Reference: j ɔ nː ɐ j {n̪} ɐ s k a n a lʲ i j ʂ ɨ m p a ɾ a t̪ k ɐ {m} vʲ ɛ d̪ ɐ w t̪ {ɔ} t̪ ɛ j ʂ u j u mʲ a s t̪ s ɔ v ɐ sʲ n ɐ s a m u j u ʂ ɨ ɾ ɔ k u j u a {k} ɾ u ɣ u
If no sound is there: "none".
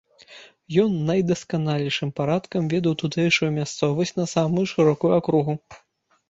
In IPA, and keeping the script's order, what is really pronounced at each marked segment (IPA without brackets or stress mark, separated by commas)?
d̪, m, u, k